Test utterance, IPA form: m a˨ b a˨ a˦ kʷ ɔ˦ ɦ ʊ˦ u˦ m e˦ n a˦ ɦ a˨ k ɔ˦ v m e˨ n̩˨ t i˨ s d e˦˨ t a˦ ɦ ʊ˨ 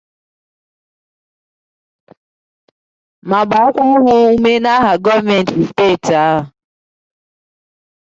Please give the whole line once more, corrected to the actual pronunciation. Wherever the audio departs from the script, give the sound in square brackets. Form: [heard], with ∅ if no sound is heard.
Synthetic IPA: m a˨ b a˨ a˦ kʷ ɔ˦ ɦ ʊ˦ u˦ m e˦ n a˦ ɦ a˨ [ɡ] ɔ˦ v m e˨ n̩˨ t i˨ s [t] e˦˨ t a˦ ɦ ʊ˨